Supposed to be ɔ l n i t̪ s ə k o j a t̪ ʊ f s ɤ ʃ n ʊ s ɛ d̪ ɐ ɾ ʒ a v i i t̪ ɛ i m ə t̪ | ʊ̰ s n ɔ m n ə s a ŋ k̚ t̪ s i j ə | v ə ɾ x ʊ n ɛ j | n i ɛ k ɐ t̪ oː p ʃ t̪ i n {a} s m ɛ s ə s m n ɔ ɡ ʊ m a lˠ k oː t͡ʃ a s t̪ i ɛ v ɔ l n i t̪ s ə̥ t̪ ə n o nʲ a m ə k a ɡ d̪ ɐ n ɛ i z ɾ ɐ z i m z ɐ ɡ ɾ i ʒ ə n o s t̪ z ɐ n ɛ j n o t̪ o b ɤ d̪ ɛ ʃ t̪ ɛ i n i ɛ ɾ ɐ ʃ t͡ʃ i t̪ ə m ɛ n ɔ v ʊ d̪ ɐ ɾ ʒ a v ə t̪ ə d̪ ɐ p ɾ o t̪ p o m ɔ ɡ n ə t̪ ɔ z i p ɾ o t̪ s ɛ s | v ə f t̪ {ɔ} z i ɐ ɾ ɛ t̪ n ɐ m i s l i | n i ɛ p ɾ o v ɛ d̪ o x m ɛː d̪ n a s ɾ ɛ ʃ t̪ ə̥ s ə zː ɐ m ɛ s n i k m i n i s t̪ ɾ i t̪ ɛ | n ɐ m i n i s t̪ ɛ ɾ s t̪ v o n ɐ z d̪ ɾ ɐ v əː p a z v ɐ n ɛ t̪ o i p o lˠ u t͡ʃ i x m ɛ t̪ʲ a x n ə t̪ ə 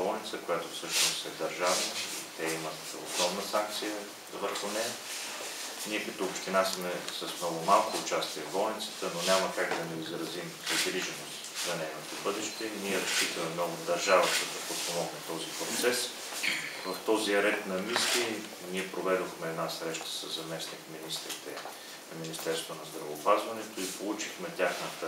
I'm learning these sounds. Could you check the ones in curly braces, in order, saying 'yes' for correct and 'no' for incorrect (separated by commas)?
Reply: yes, yes